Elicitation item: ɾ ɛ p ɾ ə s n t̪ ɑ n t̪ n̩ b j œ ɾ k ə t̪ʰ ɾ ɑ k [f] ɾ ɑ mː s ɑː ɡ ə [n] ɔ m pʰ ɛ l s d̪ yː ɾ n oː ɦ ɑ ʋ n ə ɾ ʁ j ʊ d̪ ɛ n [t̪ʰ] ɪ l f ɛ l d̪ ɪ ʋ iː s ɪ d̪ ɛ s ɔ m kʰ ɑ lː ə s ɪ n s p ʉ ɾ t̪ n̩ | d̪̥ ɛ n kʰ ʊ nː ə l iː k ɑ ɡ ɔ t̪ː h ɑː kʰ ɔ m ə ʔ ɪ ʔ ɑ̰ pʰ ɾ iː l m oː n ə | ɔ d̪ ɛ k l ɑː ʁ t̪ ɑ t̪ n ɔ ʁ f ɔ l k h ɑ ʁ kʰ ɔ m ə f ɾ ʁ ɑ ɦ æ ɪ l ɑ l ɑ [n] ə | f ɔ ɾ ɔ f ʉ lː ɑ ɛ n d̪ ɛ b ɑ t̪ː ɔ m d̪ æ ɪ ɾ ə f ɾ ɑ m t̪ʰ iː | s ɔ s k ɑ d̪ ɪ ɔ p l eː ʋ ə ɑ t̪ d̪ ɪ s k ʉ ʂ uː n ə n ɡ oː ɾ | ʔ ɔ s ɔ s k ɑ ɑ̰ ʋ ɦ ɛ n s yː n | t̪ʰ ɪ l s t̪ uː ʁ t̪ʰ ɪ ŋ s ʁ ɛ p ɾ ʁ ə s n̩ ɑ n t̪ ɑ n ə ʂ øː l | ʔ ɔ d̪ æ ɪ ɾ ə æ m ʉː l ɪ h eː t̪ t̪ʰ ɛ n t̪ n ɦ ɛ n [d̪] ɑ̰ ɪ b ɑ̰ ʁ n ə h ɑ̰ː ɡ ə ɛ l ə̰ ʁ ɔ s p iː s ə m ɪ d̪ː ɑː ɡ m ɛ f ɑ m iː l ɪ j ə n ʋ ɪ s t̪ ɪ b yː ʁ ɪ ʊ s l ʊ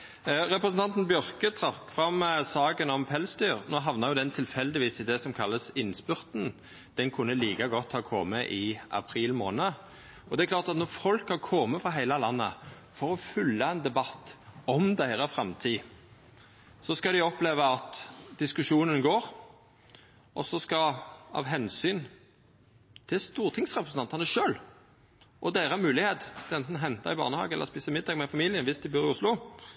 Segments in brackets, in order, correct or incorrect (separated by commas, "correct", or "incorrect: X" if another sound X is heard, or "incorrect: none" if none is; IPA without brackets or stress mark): correct, correct, correct, incorrect: nː, incorrect: t̪